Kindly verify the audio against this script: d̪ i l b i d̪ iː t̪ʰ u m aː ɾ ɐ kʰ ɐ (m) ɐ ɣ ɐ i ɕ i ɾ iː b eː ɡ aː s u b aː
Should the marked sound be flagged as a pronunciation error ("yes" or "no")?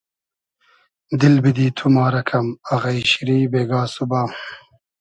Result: no